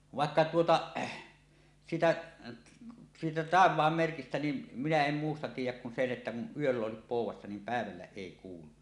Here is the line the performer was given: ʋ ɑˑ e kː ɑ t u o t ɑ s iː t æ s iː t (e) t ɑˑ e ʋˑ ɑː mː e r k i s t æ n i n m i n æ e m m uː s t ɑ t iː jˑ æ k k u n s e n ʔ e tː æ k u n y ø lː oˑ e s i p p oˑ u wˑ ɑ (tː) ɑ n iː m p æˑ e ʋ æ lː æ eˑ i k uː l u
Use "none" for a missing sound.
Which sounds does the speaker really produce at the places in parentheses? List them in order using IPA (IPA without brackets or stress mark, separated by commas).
æ, sː